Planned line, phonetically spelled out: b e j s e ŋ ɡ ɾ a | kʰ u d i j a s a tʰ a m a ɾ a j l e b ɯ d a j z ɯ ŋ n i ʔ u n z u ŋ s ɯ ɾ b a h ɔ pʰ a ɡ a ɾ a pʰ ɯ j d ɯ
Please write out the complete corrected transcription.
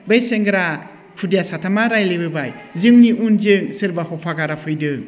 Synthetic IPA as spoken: b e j s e ŋ ɡ ɾ a | kʰ u d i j a s a tʰ a m a ɾ a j l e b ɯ b a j z ɯ ŋ n i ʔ u n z ɯ ŋ s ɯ ɾ b a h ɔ pʰ a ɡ a ɾ a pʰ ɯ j d ɯ